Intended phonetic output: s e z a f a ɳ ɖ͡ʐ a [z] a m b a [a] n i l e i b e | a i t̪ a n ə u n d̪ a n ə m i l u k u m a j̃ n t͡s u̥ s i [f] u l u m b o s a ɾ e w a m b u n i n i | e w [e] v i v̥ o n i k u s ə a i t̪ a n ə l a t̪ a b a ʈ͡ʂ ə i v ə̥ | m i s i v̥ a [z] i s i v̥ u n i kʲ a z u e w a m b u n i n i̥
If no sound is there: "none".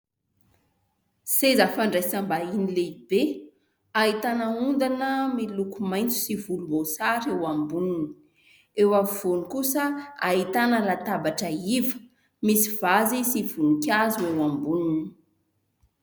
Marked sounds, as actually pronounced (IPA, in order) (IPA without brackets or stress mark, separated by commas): s, i, v, a, z